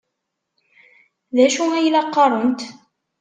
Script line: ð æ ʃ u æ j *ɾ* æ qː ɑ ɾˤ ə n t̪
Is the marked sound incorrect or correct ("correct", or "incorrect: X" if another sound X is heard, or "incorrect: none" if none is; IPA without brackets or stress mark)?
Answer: incorrect: l